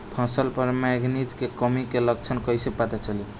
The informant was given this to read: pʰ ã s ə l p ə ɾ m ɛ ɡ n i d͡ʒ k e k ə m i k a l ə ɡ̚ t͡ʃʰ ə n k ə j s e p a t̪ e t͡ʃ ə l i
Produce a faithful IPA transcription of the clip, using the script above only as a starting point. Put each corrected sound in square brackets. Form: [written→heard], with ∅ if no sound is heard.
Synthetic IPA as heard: pʰ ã s ə l p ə ɾ m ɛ ɡ n i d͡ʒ k e k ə m i k [a→e] l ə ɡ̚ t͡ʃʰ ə n k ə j s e p a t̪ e t͡ʃ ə l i